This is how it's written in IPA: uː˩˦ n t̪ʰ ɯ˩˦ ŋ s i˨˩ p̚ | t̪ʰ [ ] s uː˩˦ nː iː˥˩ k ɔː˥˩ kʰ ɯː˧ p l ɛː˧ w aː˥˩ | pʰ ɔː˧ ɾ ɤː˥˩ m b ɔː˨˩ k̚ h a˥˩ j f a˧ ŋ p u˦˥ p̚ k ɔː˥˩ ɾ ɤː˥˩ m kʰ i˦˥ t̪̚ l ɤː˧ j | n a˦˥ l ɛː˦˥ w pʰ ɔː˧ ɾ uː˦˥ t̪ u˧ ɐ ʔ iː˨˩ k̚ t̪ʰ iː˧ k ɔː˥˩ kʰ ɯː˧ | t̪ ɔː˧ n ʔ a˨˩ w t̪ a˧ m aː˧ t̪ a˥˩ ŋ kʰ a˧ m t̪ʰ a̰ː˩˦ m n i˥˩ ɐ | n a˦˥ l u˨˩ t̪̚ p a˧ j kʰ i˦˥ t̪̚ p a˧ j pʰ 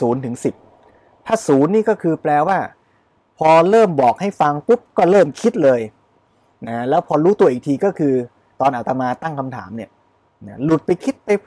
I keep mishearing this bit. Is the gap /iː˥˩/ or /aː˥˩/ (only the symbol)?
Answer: aː˥˩